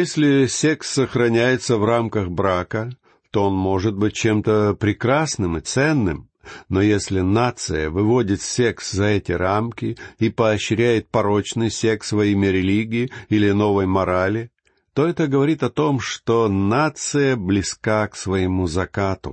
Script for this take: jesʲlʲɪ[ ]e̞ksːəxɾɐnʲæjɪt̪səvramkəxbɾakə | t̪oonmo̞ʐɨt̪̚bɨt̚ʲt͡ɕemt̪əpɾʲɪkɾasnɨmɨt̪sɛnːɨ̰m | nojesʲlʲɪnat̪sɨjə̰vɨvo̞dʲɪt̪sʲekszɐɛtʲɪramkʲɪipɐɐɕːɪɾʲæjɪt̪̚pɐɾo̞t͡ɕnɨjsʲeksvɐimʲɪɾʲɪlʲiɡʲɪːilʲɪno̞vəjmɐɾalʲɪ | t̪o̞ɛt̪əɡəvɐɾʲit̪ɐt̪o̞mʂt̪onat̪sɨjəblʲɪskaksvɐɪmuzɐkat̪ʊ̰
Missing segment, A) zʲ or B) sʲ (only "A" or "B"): B